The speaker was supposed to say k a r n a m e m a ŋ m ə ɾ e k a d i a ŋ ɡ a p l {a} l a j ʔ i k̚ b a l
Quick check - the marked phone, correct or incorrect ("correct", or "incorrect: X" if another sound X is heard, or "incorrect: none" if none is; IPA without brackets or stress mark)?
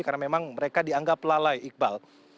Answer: correct